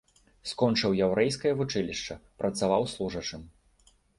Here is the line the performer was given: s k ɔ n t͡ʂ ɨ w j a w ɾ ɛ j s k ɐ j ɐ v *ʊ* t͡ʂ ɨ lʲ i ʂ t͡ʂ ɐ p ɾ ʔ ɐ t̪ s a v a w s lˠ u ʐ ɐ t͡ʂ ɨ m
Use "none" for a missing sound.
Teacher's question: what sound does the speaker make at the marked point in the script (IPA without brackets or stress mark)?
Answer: u